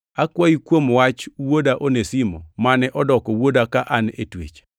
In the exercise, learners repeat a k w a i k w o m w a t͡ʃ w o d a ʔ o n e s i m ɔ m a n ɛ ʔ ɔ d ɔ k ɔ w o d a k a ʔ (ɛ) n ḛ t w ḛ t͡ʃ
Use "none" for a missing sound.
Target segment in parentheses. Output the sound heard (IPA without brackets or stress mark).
a